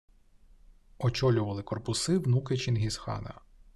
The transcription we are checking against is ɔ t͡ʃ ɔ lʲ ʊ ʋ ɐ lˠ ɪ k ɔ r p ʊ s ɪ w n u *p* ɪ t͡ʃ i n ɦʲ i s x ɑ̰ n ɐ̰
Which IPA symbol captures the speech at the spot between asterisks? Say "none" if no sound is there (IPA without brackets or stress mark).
k